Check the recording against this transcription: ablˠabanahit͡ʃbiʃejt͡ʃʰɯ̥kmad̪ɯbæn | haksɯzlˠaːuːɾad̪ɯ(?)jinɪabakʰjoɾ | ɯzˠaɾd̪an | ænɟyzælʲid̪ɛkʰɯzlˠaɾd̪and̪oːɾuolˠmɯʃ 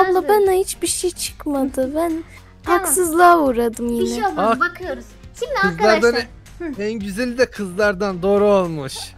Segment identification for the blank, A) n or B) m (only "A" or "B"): B